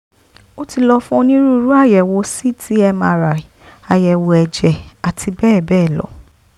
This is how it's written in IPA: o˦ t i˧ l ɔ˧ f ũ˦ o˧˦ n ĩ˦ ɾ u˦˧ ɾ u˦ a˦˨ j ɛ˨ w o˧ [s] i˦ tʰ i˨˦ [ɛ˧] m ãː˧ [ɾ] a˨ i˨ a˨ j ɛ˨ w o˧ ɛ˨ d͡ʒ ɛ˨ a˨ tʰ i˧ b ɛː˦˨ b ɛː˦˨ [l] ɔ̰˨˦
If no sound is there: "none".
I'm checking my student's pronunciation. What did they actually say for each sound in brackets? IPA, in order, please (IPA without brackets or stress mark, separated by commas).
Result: s, ɛ˧, ɾ, l